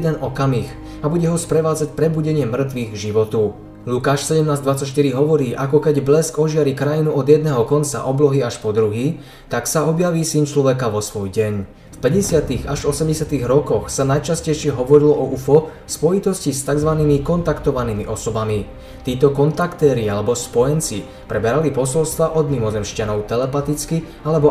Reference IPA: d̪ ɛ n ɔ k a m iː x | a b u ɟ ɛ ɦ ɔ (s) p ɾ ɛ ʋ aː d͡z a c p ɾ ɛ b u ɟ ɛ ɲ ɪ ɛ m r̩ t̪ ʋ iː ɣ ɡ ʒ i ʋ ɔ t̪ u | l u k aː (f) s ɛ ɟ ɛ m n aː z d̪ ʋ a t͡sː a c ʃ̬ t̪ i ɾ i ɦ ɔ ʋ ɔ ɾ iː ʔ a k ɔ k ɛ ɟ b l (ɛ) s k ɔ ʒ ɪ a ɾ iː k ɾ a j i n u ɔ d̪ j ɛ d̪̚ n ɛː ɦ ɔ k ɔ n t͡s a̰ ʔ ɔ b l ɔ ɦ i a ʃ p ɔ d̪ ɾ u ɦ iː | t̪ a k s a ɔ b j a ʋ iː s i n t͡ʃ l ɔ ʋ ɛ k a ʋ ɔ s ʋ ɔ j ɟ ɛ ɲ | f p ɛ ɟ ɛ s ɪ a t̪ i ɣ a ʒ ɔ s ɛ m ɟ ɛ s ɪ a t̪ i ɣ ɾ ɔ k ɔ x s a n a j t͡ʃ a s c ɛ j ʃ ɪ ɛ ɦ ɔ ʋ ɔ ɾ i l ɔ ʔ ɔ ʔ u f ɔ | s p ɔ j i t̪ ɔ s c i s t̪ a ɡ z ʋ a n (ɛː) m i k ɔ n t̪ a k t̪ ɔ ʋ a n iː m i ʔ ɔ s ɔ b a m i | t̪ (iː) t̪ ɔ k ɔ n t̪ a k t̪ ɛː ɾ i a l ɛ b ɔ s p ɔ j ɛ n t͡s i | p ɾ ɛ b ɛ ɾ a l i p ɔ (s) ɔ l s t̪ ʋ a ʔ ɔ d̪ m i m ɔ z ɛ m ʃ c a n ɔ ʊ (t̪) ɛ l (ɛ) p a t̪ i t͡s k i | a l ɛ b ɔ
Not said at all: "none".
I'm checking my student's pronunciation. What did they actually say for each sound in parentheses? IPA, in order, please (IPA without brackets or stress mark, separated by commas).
s, ʃ, ɛ, iː, iː, s, t̪, ɛ